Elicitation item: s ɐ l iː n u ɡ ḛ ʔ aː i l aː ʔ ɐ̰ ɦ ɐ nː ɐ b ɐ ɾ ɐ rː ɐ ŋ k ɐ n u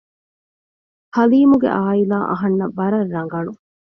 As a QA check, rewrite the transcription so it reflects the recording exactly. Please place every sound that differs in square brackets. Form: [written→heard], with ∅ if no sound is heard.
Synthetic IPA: [s→h] ɐ l iː [n→m] u ɡ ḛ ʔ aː i l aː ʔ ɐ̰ ɦ ɐ nː ɐ b ɐ ɾ ɐ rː ɐ ŋ [k→ɡ] ɐ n u

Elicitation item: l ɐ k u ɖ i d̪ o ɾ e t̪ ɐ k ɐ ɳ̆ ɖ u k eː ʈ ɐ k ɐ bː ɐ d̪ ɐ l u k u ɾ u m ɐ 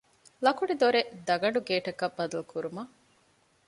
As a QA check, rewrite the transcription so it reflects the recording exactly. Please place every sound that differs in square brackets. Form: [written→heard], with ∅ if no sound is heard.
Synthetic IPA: l ɐ k u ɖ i d̪ o ɾ e [t̪→d̪] ɐ [k→ɡ] ɐ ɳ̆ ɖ u [k→ɡ] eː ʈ ɐ k ɐ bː ɐ d̪ ɐ l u k u ɾ u m ɐ

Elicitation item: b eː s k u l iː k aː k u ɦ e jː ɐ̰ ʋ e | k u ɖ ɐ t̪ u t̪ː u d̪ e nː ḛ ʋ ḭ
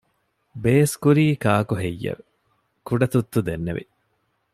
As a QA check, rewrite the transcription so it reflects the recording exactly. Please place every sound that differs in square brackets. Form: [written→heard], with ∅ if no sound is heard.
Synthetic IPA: b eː s k u [l→ɾ] iː k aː k u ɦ e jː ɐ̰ ʋ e | k u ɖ ɐ t̪ u t̪ː u d̪ e nː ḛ ʋ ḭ

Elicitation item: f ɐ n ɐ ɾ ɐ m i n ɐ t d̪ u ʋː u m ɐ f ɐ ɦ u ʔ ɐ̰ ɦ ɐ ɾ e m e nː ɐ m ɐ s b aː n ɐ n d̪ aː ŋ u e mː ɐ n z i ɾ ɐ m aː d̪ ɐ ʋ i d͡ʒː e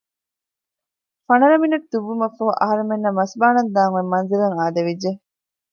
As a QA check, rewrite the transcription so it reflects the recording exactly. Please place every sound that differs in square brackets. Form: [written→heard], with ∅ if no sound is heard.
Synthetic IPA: f ɐ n ɐ ɾ ɐ m i n ɐ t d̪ u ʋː u m ɐ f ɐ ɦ u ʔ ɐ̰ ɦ ɐ ɾ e m e nː ɐ m ɐ s b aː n ɐ n d̪ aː ŋ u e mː ɐ n z i ɾ ɐ [m→ŋ] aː d̪ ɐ ʋ i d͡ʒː e

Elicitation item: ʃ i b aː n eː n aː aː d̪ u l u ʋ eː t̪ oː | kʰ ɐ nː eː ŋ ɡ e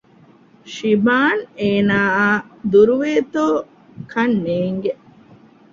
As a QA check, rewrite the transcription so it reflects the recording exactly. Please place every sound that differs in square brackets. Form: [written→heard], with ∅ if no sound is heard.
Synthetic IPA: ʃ i b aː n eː n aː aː d̪ u [l→ɾ] u ʋ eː t̪ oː | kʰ ɐ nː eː ŋ ɡ e

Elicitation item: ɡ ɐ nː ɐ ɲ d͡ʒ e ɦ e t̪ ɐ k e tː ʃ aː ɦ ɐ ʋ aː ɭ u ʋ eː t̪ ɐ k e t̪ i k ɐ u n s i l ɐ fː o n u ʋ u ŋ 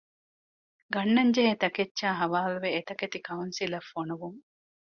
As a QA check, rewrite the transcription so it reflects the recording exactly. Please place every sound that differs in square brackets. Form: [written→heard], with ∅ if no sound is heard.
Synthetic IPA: ɡ ɐ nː ɐ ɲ d͡ʒ e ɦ e t̪ ɐ k e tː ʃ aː ɦ ɐ ʋ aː [ɭ→l] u ʋ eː t̪ ɐ k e t̪ i k ɐ u n s i l ɐ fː o n u ʋ u ŋ

